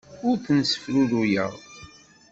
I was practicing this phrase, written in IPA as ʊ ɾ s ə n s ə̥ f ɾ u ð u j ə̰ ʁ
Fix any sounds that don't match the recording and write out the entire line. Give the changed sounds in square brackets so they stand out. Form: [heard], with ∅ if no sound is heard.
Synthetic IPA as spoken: ʊ ɾ [θ] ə n s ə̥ f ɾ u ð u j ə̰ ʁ